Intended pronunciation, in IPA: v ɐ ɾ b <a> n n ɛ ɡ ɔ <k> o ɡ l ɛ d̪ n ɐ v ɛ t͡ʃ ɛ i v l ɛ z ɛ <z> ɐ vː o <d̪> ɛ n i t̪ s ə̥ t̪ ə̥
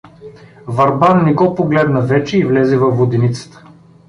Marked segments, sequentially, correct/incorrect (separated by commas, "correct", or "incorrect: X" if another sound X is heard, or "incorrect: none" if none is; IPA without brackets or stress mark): correct, incorrect: p, incorrect: v, correct